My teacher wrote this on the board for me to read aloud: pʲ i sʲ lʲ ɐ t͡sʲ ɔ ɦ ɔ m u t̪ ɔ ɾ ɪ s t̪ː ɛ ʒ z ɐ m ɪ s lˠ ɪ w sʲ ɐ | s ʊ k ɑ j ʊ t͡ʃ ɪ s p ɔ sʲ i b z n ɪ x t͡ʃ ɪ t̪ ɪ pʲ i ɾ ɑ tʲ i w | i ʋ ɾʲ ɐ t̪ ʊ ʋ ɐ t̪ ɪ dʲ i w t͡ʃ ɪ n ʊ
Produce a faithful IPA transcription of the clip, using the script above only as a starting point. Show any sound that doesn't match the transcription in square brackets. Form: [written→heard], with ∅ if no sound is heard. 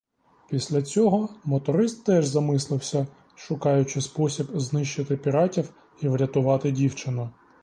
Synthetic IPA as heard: pʲ i sʲ lʲ ɐ t͡sʲ ɔ ɦ ɔ m [u→ɔ] t̪ ɔ ɾ ɪ s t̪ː ɛ ʒ z ɐ m ɪ s lˠ ɪ w sʲ ɐ | [s→ʃ] ʊ k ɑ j ʊ t͡ʃ ɪ s p ɔ sʲ i b z n ɪ [x→ʃ] t͡ʃ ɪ t̪ ɪ pʲ i ɾ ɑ tʲ i w | i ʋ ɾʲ ɐ t̪ ʊ ʋ [ɐ→ɑ] t̪ ɪ dʲ i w t͡ʃ ɪ n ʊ

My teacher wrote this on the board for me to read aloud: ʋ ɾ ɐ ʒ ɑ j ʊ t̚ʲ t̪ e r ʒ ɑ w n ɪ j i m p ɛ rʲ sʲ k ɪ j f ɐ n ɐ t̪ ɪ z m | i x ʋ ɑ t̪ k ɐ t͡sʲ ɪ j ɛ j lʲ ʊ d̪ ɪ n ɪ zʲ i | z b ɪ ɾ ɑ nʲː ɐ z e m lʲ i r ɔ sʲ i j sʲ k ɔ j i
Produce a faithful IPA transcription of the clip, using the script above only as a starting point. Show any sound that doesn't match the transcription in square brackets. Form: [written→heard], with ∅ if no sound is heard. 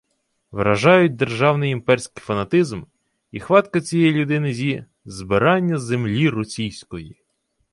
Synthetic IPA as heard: ʋ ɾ ɐ ʒ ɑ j ʊ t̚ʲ [t̪→d̪] e r ʒ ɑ w n ɪ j i m p ɛ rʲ sʲ k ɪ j f ɐ n ɐ t̪ ɪ z m | i x ʋ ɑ t̪ k ɐ t͡sʲ [ɪ→i] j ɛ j lʲ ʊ d̪ ɪ n ɪ zʲ i | z b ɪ ɾ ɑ nʲː ɐ z e m lʲ i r ɔ sʲ i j sʲ k ɔ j i

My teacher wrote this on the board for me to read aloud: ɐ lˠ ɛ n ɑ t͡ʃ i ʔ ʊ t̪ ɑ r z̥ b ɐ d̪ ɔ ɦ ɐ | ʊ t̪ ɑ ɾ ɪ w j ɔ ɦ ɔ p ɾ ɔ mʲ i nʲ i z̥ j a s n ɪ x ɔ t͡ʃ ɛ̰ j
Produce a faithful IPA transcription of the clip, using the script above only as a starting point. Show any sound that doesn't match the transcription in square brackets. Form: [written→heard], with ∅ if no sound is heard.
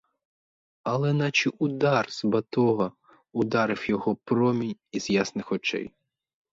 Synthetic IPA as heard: ɐ lˠ ɛ n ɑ t͡ʃ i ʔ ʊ [t̪→d̪] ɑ r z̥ b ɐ [d̪→t̪] ɔ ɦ ɐ | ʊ [t̪→d̪] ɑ ɾ ɪ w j ɔ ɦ ɔ p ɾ ɔ mʲ i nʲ i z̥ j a s n ɪ x ɔ t͡ʃ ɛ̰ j

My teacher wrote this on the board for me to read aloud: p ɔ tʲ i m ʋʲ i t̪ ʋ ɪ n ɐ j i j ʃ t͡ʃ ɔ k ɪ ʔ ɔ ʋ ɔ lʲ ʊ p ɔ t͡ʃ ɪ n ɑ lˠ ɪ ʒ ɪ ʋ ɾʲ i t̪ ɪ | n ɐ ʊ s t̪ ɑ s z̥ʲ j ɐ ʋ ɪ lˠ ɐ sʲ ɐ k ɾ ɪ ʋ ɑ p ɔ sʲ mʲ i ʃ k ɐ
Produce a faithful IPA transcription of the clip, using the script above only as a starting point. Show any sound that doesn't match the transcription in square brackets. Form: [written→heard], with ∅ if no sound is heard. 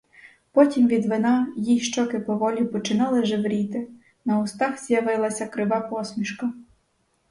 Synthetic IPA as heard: p ɔ tʲ i m ʋʲ i [t̪→d̪] ʋ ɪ n [ɐ→ɑ] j i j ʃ t͡ʃ ɔ k ɪ [ʔ→p] ɔ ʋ ɔ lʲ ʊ p ɔ t͡ʃ ɪ n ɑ lˠ ɪ ʒ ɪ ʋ ɾʲ i t̪ ɪ | n ɐ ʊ s t̪ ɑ [s→x] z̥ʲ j ɐ ʋ ɪ lˠ ɐ sʲ ɐ k ɾ ɪ ʋ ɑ p ɔ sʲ mʲ i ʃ k ɐ

